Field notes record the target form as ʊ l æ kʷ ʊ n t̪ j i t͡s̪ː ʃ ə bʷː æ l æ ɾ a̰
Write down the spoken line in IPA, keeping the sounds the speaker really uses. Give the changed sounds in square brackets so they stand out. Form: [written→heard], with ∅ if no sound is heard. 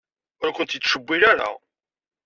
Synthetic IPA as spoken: ʊ [l→ɾ] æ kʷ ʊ n t̪ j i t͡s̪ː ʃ ə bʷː [æ→i] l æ ɾ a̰